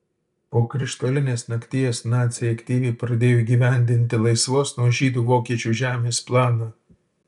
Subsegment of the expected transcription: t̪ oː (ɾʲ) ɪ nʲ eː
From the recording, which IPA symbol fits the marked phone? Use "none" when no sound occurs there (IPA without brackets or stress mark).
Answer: lʲ